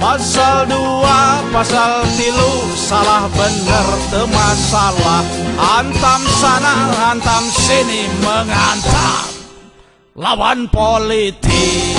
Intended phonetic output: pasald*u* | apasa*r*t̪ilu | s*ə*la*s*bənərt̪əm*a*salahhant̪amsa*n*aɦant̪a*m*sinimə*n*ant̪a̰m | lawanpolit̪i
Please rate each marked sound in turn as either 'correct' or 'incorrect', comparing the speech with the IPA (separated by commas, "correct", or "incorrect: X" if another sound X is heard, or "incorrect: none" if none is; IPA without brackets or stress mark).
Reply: correct, incorrect: l, incorrect: a, incorrect: h, correct, correct, correct, incorrect: ŋ